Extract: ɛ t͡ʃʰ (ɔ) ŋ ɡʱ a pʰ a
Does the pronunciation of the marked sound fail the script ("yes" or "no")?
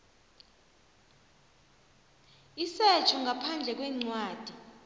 no